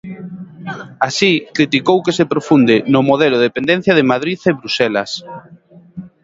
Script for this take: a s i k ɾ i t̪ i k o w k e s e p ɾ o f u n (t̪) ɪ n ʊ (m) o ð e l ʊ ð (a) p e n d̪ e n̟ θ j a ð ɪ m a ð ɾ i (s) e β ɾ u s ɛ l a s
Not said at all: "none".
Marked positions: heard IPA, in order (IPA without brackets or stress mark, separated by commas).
d̪, m, e, θ